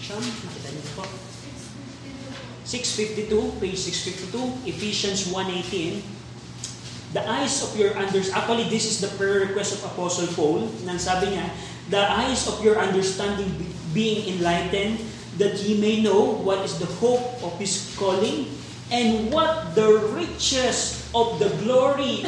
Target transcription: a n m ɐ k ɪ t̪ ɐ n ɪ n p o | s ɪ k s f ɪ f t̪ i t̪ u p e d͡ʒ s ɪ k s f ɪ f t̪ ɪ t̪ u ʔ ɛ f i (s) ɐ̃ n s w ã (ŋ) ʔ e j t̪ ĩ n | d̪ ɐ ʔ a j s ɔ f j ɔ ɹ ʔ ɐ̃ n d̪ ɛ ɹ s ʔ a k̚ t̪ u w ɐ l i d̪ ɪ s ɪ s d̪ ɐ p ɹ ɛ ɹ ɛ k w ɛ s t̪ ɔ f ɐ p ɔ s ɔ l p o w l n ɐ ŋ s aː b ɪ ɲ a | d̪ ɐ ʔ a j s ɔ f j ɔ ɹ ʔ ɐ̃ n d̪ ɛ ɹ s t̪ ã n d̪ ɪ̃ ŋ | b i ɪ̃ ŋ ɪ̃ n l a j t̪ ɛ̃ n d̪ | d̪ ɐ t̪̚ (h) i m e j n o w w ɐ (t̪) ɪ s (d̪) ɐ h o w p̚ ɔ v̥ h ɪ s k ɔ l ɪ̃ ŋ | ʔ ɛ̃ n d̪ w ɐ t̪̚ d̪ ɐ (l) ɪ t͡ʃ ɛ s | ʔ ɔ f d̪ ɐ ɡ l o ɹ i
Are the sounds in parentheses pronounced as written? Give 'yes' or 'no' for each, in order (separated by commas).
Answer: no, no, yes, yes, yes, no